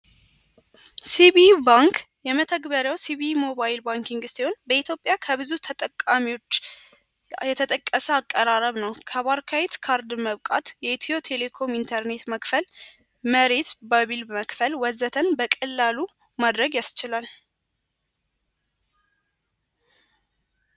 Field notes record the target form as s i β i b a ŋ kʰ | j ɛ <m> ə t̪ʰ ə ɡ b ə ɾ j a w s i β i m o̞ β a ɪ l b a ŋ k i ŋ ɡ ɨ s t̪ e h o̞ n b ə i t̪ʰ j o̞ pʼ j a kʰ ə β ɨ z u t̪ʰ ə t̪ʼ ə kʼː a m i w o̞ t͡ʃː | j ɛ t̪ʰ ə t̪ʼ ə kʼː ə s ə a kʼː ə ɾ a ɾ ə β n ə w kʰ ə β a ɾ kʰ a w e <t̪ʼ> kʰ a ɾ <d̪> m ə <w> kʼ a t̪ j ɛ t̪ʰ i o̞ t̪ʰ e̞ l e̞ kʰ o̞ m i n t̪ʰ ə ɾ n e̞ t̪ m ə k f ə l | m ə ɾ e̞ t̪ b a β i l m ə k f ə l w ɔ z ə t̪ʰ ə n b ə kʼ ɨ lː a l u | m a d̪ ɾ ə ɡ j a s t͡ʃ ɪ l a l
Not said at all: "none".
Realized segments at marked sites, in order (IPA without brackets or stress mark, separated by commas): m, t̪, d̪, β